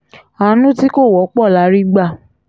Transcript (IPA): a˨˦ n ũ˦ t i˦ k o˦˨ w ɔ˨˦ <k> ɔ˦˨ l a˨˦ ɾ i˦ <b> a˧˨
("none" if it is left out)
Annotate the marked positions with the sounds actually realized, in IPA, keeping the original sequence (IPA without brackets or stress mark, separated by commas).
k͡p, ɡ͡b